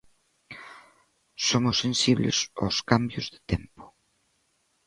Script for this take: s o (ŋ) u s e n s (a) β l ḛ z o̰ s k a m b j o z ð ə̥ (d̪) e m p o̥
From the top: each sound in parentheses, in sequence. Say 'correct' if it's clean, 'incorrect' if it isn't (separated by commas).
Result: incorrect, incorrect, incorrect